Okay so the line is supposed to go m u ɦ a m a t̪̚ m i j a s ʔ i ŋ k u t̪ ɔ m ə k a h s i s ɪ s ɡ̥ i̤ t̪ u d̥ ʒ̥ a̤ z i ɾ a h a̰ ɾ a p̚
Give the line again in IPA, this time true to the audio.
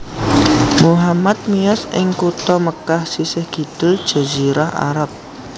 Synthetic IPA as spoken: m u ɦ a m a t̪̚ m i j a s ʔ ɪ ŋ k u t̪ ɔ m ə k a h s i s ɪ h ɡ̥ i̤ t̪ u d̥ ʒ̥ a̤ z i ɾ a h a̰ ɾ a p̚

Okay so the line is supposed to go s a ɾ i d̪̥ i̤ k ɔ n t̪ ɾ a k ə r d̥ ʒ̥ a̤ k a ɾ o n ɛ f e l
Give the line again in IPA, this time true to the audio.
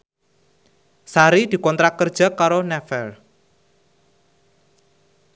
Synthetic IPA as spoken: s a ɾ i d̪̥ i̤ k ɔ n t̪ ɾ a k ə r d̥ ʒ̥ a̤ k a ɾ o n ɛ f ɛ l

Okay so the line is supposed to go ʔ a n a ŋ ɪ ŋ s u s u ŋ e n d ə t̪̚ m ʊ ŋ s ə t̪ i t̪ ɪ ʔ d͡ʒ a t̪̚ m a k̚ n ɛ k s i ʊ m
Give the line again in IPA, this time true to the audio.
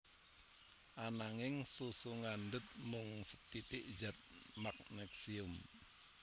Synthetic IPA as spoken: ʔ a n a ŋ ɪ ŋ s u s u ŋ a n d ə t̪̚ m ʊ ŋ s ə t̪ i t̪ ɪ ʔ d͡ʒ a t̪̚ m a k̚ n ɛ k s i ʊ m

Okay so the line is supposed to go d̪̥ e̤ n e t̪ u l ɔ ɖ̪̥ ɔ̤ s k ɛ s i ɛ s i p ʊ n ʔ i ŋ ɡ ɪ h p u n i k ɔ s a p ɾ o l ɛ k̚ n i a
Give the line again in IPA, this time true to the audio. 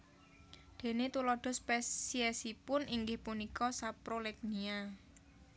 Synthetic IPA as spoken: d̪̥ e̤ n e t̪ u l ɔ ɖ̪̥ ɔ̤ s p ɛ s i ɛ s i p ʊ n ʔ i ŋ ɡ ɪ h p u n i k ɔ s a p ɾ o l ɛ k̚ n i a

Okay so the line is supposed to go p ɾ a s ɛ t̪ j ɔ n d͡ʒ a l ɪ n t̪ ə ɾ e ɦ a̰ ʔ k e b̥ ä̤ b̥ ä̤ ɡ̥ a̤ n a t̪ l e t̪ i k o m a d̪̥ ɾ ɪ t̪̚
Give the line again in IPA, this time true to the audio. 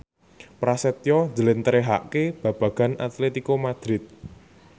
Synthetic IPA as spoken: p ɾ a s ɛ t̪ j ɔ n d͡ʒ ə l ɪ n t̪ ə ɾ e ɦ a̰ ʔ k e b̥ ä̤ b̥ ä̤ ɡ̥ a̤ n a t̪ l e t̪ i k o m a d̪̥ ɾ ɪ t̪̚

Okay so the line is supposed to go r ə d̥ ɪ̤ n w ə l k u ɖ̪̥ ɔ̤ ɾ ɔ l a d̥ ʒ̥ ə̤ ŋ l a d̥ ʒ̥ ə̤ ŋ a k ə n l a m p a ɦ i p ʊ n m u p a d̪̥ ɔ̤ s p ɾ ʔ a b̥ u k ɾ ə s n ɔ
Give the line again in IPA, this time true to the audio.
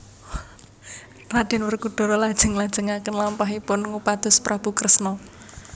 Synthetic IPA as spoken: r a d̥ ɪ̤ n w ə r k u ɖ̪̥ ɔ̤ ɾ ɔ l a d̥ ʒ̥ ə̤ ŋ l a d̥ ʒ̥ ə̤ ŋ a k ə n l a m p a ɦ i p ʊ n ŋ u p a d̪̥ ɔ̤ s p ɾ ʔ a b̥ u k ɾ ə s n ɔ

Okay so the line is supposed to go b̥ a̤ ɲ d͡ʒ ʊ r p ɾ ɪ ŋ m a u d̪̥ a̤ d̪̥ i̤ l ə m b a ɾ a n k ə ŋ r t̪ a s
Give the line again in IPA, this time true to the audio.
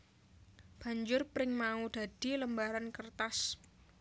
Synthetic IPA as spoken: b̥ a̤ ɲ d͡ʒ ʊ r p ɾ ɪ ŋ m a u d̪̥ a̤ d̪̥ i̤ l ə m b a ɾ a n k ə r t̪ a s

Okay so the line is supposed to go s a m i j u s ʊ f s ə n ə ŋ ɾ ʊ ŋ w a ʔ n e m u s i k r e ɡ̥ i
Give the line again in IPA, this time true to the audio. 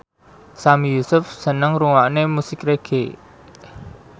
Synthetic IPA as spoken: s a m i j u s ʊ f s ə n ə ŋ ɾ u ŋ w a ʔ n e m u s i k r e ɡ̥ e

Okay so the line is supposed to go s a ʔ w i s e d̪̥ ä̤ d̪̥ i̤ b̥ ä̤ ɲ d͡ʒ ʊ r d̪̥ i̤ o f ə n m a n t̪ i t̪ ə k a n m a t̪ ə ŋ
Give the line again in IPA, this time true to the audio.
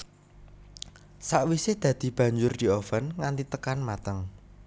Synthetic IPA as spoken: s a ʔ w i s e d̪̥ ä̤ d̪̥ i̤ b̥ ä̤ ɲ d͡ʒ ʊ r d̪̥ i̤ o f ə n ŋ a n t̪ i t̪ ə k a n m a t̪ ə ŋ

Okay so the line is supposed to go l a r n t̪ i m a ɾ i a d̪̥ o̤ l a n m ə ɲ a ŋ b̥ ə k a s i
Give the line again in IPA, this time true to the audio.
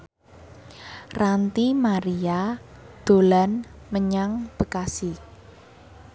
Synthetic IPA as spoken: r a n t̪ i m a ɾ i a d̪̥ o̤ l a n m ə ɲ a ŋ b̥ ə k a s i

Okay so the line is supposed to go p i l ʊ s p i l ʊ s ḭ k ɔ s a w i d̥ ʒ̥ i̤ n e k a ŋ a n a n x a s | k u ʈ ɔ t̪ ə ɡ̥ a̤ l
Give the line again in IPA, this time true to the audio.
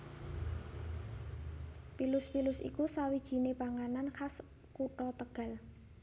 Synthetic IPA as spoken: p i l ʊ s p i l ʊ s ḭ k u s a w i d̥ ʒ̥ i̤ n e p a ŋ a n a n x a s | k u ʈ ɔ t̪ ə ɡ̥ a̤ l

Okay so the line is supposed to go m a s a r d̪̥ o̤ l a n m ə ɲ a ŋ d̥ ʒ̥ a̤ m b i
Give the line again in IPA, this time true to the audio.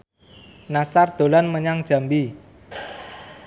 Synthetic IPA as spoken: n a s a r d̪̥ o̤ l a n m ə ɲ a ŋ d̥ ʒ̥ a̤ m b i

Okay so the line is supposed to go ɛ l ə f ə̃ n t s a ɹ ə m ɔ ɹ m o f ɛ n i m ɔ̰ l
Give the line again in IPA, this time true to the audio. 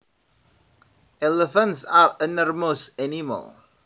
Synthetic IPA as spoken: ɛ l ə f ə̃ n t s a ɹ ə n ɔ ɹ m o s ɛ n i m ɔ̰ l

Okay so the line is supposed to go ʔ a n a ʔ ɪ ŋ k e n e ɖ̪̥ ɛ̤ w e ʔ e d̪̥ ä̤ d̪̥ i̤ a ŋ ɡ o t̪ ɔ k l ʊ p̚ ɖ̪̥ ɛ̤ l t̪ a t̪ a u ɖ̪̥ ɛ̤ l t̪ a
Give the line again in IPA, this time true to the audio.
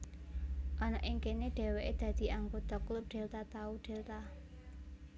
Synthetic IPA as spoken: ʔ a n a ʔ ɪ ŋ k e n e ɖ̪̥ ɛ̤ w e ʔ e d̪̥ ä̤ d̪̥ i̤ a ŋ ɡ o t̪ ɔ k l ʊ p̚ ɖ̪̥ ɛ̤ l t̪ a t̪ a u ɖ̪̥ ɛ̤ l t̪ a

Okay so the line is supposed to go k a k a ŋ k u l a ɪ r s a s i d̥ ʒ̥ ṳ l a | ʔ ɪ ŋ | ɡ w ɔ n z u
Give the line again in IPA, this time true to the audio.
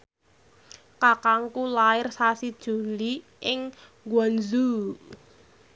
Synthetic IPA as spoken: k a k a ŋ k u l a ɪ r s a s i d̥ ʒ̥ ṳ l i | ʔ ɪ ŋ | ɡ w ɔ n z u

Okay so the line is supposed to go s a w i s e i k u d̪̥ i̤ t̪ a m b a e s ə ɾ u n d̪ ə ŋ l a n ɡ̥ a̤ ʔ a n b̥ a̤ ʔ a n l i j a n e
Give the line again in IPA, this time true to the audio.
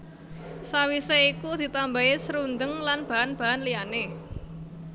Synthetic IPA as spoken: s a w i s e i k u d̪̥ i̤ t̪ a m b a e s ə ɾ u n d̪ ə ŋ l a n b̥ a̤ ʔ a n b̥ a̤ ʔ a n l i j a n e

